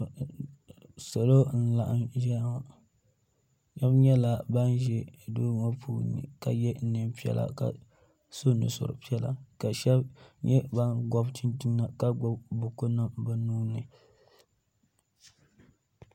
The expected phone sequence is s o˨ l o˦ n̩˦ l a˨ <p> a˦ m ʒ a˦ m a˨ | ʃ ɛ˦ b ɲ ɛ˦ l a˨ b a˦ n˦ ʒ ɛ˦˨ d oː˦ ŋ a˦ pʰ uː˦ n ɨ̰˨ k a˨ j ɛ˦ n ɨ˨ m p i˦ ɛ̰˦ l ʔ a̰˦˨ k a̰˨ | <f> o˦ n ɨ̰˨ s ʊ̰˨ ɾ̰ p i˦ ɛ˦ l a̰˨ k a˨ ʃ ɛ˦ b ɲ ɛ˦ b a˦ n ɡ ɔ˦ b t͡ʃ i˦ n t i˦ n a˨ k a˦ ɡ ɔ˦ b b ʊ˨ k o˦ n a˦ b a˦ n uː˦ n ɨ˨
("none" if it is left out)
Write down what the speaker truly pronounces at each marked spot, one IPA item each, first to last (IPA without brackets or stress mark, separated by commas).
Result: ʔ, s